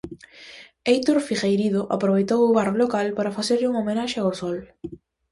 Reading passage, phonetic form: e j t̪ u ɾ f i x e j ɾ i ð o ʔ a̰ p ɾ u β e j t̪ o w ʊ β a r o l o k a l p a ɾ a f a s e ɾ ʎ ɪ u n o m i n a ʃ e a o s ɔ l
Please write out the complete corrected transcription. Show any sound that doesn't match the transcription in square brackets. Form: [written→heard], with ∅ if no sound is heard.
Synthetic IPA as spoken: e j t̪ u ɾ f i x e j ɾ i ð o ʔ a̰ p ɾ [u→o] β e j t̪ o w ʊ β a r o l o k a l p a ɾ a f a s e ɾ ʎ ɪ u [n→ŋ] o m [i→e] n a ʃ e a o s ɔ l